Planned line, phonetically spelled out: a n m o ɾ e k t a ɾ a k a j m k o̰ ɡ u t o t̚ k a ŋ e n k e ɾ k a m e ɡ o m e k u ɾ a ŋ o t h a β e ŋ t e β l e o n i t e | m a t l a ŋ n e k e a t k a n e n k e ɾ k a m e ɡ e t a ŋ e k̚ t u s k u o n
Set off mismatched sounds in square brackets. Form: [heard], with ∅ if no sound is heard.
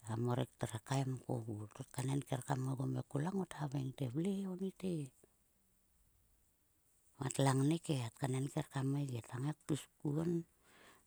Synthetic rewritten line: a [∅] m o ɾ e k t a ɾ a k a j m k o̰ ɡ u t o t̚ k a [n] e n k e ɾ k a m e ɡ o m e k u [l] a ŋ o t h a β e ŋ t e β l e o n i t e | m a t l a ŋ n e k e a t k a n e n k e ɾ k a m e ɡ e t a ŋ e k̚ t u s k u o n